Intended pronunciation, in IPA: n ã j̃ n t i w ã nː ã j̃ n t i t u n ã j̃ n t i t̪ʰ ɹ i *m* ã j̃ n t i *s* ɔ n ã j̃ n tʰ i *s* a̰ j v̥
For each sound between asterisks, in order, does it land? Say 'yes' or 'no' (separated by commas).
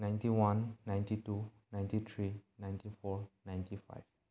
no, no, no